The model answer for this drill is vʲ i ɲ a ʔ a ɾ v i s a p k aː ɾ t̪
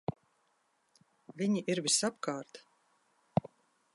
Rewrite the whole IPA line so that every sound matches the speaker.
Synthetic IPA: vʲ i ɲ i ʔ i ɾ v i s a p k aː ɾ t̪